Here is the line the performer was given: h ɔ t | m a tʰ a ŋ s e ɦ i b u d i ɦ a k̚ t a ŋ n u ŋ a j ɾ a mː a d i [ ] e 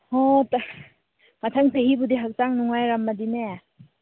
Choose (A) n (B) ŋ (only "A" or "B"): A